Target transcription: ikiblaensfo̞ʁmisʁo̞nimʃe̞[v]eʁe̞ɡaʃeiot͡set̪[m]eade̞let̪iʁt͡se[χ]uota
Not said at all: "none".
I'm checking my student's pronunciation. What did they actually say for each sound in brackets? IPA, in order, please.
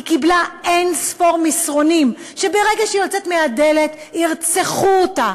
b, m, χ

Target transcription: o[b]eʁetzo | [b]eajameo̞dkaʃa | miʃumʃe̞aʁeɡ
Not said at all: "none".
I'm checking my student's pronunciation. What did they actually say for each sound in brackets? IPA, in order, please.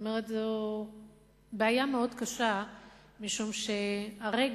m, b

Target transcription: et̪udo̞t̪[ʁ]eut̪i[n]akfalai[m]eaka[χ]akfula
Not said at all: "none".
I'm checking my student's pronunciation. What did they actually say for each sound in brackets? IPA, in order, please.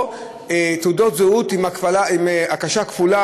z, m, m, ʃ

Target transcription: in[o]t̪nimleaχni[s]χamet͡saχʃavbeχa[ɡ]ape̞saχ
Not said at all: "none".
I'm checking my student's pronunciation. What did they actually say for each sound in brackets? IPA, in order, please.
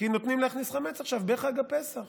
o, s, ɡ

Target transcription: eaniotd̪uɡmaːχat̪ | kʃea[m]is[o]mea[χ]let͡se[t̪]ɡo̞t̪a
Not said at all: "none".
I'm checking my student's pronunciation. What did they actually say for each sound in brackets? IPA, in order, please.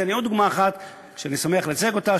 n, o, χ, none

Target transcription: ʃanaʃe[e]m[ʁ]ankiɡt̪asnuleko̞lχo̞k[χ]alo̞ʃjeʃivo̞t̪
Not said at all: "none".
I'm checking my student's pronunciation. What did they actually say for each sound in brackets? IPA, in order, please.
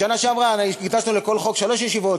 a, ʁ, ʃ

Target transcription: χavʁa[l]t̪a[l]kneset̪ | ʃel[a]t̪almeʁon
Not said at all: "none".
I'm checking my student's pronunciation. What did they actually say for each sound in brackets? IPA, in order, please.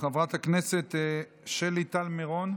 none, none, i

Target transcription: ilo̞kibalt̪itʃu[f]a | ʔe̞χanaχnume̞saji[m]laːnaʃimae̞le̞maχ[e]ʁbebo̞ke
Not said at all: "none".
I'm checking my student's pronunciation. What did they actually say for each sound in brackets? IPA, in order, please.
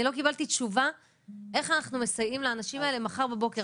v, m, a

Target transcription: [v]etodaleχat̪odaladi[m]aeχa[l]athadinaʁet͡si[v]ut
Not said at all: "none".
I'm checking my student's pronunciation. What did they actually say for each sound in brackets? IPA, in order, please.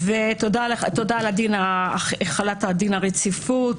v, n, l, f

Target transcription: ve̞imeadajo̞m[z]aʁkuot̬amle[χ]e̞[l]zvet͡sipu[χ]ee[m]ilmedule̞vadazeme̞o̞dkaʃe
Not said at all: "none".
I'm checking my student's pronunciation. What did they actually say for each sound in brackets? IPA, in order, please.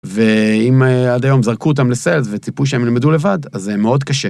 z, s, l, ʃ, m

